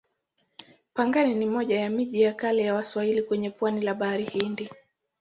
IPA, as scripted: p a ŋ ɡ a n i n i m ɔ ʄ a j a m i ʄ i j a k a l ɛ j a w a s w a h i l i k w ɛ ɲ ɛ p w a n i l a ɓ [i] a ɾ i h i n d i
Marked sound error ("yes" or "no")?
yes